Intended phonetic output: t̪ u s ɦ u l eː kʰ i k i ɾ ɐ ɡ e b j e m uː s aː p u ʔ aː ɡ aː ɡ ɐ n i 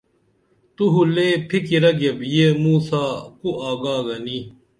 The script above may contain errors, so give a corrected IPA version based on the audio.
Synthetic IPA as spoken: t̪ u ɦ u l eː pʰ i k i ɾ ɐ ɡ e b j e m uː s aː k u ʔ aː ɡ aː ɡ ɐ n i